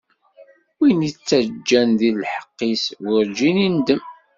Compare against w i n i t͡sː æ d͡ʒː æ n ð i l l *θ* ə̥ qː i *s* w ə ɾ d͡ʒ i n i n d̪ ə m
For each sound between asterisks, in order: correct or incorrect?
incorrect: ħ, correct

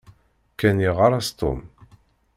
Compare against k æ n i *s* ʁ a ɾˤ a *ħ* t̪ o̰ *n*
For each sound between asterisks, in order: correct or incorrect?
incorrect: none, incorrect: s, incorrect: m

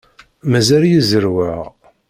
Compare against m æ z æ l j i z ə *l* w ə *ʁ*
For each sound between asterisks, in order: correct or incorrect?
incorrect: ɾ, correct

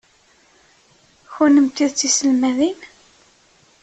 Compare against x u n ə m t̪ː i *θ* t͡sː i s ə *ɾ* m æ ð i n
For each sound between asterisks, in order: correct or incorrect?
incorrect: ð, incorrect: l

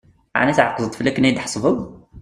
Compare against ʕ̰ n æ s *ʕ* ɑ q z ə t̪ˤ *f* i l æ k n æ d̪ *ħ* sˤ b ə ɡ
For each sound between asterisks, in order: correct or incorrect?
correct, correct, correct

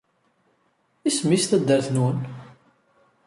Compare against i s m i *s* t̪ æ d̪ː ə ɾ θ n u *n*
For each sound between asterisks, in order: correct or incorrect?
correct, correct

